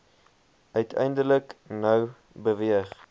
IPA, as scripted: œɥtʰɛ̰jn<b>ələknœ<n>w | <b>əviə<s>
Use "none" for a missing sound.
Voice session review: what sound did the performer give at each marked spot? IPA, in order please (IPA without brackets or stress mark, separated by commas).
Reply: d, none, b, χ